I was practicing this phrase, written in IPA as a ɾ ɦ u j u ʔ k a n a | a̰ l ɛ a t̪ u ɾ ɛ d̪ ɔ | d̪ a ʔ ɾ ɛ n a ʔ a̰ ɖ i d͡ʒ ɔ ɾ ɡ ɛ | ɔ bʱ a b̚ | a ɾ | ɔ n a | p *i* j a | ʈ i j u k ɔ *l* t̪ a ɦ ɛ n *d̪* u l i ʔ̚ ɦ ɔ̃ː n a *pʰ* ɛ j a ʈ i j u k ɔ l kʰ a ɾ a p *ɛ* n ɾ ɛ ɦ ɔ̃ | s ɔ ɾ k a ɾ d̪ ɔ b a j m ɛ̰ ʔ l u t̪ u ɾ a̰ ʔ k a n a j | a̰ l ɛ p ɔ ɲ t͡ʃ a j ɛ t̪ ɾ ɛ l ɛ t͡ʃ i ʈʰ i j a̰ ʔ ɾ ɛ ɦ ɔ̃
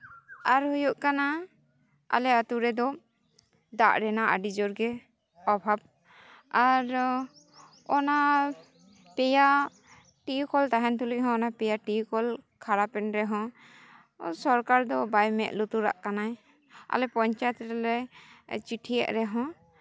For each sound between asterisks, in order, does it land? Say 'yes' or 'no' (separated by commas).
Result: no, yes, no, no, yes